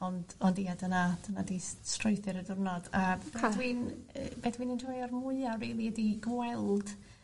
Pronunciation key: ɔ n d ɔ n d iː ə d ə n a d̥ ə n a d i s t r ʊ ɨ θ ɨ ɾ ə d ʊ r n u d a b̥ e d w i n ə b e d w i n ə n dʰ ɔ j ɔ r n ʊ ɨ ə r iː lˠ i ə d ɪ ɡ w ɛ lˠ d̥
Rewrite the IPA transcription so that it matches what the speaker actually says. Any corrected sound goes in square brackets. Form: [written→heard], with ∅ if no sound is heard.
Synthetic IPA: ɔ n d ɔ n d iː [ə→a] d ə n a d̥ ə n a d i s t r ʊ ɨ θ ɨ ɾ ə d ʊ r n [u→ɔ] d a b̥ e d w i n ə b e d w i n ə n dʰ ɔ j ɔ r [n→m] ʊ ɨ [ə→a] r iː lˠ i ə d [ɪ→i] ɡ w ɛ lˠ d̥